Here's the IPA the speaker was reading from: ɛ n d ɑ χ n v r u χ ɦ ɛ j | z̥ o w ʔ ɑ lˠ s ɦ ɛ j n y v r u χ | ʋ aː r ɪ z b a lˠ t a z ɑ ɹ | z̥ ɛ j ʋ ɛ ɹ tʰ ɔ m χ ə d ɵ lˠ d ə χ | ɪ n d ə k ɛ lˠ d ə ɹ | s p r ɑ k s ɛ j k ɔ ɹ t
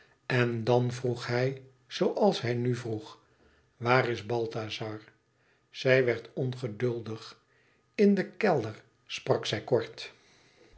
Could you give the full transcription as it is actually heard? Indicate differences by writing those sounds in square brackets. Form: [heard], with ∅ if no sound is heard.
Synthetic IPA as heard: ɛ n d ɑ [∅] n v r u χ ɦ ɛ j | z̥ o w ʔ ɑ lˠ s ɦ ɛ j n y v r u χ | ʋ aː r ɪ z b [ɑ] lˠ t a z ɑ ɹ | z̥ ɛ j ʋ ɛ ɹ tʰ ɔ [n] χ ə d ɵ lˠ d ə χ | ɪ n d ə k ɛ lˠ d ə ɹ | s p r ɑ k s ɛ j k ɔ ɹ t